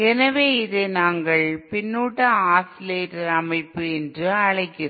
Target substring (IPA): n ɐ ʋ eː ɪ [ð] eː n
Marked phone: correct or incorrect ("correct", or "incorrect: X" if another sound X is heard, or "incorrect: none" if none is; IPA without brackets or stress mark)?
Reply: correct